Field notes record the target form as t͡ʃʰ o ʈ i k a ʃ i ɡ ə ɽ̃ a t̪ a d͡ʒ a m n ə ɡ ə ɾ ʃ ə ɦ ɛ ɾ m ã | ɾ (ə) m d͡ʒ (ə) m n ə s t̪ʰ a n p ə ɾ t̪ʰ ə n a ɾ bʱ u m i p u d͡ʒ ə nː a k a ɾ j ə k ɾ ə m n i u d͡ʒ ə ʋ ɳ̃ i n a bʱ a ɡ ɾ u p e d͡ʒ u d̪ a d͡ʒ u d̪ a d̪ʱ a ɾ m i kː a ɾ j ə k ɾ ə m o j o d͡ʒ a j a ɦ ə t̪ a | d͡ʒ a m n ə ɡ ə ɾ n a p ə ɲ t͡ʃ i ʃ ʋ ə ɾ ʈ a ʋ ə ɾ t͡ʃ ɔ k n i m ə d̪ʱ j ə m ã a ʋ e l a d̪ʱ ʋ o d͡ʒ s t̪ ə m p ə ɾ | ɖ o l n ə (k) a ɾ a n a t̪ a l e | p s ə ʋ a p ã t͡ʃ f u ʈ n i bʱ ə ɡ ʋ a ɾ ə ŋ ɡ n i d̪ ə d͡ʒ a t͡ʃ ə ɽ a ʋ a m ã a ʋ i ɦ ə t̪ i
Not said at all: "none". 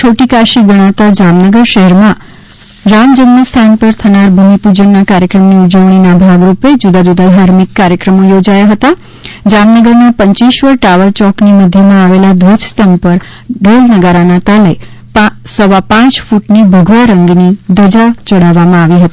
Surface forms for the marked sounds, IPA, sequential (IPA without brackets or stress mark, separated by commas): a, ə, ɡ